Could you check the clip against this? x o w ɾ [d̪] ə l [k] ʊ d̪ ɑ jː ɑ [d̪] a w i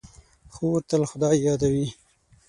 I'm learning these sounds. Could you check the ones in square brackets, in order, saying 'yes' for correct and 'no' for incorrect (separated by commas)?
no, no, yes